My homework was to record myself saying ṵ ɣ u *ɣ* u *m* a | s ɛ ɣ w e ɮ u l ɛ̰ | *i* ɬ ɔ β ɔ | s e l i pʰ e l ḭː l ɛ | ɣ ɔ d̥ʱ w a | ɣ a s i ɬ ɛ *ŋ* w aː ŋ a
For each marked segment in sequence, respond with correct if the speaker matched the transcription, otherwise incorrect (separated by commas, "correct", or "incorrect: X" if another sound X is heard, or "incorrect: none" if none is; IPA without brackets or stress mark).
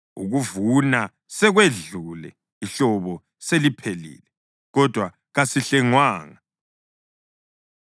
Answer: incorrect: v, incorrect: n, correct, correct